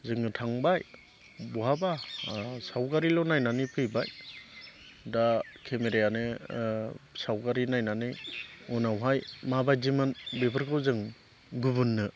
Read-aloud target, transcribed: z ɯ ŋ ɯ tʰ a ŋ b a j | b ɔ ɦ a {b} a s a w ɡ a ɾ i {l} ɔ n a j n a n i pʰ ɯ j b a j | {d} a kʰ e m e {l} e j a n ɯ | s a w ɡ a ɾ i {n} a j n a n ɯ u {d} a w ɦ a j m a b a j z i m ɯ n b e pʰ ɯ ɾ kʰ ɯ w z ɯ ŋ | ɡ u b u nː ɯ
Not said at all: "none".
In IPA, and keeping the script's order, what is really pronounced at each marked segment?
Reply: b, l, d, ɾ, n, n

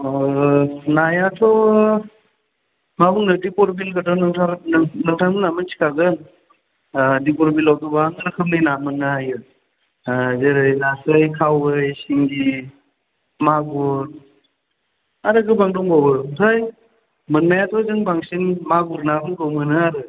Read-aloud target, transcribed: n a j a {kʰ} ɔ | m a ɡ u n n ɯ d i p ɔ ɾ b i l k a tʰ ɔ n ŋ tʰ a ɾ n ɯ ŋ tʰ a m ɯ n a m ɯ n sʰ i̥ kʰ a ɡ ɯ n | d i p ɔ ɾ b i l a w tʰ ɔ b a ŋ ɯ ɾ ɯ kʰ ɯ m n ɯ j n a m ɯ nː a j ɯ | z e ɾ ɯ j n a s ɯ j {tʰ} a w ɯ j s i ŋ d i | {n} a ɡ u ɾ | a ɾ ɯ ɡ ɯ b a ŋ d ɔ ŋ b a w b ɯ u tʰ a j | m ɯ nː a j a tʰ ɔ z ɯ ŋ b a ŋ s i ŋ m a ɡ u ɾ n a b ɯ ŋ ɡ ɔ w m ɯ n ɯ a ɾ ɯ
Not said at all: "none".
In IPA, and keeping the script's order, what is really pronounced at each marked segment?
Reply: tʰ, kʰ, m

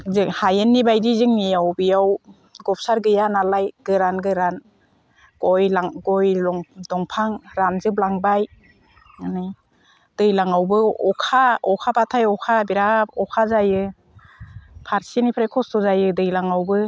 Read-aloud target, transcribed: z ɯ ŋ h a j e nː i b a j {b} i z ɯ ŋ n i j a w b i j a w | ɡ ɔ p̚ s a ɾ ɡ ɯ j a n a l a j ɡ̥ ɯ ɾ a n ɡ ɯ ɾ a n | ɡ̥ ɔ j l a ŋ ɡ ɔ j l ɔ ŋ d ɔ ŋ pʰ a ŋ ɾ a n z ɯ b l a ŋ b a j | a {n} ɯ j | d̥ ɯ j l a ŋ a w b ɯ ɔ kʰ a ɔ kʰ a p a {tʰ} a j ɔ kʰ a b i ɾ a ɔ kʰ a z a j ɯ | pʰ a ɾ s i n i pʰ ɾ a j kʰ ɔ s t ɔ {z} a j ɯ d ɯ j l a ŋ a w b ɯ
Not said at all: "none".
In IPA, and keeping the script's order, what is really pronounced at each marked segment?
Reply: d, n, tʰ, z

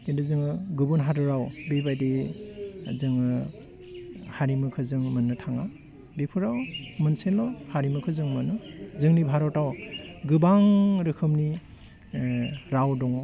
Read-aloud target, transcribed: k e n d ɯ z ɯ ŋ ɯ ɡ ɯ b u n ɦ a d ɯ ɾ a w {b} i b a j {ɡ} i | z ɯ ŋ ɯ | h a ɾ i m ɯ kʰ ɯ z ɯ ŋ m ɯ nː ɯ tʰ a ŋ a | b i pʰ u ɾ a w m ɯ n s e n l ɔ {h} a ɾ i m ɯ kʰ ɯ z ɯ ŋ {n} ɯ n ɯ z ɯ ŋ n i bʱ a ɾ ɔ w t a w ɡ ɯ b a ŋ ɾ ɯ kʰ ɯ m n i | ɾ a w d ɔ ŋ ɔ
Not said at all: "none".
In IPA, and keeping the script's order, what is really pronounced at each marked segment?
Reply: b, d, h, m

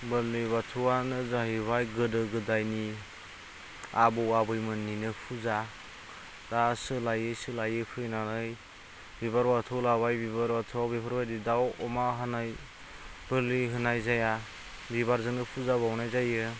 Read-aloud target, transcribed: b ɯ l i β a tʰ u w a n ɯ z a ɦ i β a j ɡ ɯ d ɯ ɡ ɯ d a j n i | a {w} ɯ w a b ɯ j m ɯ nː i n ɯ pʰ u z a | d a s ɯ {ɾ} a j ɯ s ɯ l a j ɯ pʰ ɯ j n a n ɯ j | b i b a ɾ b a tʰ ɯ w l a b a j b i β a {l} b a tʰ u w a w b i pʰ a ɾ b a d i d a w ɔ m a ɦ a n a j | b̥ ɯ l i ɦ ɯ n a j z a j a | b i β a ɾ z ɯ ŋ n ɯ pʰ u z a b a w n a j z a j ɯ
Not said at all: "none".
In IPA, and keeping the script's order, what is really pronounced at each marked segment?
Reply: b, l, ɾ

